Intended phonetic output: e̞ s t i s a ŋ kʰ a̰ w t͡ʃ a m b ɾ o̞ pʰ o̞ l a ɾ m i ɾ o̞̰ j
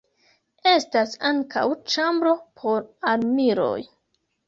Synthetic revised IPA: e̞ s t a s a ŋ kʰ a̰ w t͡ʃ a m b ɾ o̞ pʰ o̞ ɾ a ɾ m i ɾ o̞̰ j